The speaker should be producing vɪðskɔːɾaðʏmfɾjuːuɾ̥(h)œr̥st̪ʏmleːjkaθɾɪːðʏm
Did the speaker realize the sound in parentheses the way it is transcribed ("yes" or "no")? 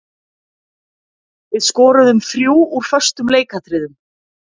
no